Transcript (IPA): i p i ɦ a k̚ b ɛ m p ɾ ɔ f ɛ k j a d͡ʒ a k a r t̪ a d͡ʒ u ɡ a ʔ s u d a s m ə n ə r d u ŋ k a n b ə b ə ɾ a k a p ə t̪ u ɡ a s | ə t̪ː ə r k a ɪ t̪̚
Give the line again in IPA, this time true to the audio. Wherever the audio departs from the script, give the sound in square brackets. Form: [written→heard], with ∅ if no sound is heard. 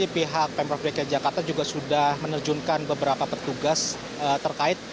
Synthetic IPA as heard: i p i ɦ a k̚ [b→p] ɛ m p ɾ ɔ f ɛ k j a d͡ʒ a k a r t̪ a d͡ʒ u ɡ a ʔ s u d a [s→h] m ə n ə r [d→d͡ʒ] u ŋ k a n b ə b ə ɾ a [k→p] a p ə t̪ u ɡ a s | ə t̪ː ə r k a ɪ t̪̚